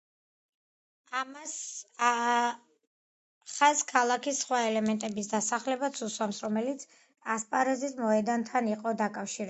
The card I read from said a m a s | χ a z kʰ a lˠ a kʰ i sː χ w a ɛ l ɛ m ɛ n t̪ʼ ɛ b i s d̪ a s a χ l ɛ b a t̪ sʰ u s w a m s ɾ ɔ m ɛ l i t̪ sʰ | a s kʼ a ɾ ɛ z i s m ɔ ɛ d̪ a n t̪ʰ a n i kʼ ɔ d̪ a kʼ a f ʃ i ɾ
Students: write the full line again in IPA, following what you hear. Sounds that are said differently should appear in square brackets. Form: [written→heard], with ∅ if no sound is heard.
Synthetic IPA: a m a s | χ a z kʰ a lˠ a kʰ i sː χ w a ɛ l ɛ m ɛ n t̪ʼ ɛ b i s d̪ a s a χ l ɛ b a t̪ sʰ u s w a m s ɾ ɔ m ɛ l i t̪ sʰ | a s [kʼ→pʼ] a ɾ ɛ z i s m ɔ ɛ d̪ a n t̪ʰ a n i [kʼ→qʼ] ɔ d̪ a kʼ a f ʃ i ɾ